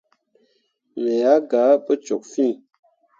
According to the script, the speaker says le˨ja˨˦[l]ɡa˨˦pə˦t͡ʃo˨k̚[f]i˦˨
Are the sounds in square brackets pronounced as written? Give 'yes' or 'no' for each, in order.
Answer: no, yes

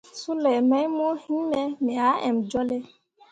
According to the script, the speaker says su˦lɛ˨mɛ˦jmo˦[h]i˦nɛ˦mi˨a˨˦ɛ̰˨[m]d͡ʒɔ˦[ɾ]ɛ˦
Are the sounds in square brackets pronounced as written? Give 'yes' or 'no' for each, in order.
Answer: yes, yes, no

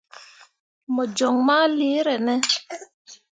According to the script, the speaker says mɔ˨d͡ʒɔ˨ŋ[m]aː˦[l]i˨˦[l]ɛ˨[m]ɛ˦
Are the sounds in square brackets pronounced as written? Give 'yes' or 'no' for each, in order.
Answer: yes, yes, no, no

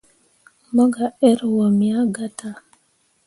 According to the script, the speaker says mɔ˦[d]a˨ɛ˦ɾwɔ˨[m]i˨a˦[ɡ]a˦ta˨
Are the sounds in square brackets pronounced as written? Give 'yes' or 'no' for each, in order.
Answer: no, yes, yes

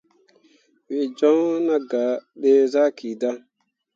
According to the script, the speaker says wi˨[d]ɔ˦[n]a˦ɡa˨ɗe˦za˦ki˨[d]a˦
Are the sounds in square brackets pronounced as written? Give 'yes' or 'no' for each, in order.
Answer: no, yes, yes

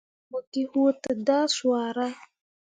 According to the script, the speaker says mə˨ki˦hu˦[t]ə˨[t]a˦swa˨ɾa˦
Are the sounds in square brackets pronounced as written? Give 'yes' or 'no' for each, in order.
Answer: yes, no

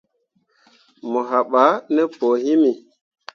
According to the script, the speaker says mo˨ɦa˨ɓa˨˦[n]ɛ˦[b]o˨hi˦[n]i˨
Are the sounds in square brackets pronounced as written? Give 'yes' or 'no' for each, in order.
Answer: yes, no, no

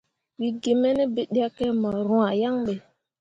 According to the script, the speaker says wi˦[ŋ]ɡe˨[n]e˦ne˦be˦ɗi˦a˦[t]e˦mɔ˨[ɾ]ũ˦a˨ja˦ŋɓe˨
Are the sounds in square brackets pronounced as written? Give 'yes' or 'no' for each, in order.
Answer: no, no, no, yes

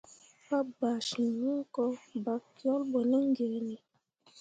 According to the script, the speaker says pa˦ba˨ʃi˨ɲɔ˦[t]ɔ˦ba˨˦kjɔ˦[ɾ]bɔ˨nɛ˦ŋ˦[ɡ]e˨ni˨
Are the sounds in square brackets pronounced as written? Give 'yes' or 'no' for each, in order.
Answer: no, no, yes

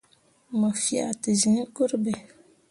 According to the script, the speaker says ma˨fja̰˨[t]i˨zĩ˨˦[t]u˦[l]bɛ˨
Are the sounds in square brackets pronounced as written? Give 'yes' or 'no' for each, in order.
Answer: yes, no, no

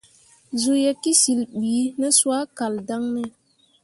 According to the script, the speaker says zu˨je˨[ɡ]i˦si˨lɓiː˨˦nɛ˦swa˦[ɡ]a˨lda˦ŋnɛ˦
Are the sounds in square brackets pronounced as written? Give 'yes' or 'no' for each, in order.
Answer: no, no

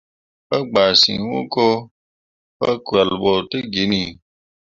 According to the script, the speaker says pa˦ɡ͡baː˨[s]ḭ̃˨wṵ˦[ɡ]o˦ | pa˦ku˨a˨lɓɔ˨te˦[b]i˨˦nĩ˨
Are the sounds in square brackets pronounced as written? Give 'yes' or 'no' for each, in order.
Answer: yes, no, no

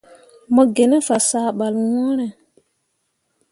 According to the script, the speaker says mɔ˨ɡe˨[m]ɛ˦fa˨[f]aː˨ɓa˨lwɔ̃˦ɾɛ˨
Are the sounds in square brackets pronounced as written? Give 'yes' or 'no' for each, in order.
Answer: no, no

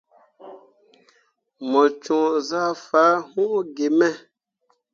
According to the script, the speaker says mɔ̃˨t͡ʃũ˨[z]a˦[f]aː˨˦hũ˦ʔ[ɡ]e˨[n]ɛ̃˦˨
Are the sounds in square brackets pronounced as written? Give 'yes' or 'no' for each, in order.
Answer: yes, yes, yes, no

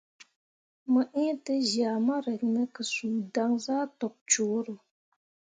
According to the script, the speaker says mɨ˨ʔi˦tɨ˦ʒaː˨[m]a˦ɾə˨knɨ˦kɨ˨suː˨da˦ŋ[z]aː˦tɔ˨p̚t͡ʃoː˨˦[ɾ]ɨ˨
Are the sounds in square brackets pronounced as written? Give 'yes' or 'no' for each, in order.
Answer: yes, yes, yes

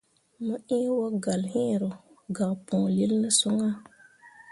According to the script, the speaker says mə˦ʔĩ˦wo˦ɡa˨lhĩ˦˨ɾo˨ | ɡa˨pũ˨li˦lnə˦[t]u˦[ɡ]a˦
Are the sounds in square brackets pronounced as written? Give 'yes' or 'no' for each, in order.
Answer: no, no

